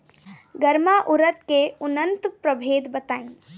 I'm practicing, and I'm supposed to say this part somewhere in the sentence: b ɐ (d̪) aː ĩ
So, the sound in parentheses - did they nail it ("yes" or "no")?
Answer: no